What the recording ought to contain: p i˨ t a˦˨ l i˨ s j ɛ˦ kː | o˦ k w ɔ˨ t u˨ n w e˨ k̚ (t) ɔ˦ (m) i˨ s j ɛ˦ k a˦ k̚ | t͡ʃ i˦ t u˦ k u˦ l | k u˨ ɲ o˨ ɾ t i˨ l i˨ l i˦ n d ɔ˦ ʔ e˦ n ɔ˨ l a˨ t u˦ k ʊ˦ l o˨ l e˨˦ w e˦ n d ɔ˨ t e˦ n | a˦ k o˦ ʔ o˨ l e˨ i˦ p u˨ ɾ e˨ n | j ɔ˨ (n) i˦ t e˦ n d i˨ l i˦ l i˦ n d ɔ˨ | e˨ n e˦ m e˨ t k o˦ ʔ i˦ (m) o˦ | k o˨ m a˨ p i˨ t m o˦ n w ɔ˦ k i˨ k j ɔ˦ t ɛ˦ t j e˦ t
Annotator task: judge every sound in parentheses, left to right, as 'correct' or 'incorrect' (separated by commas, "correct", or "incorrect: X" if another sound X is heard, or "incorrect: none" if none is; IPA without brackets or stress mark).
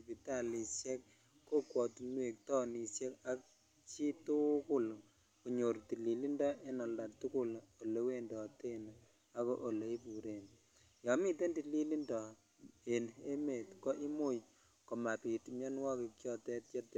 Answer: correct, incorrect: n, incorrect: m, correct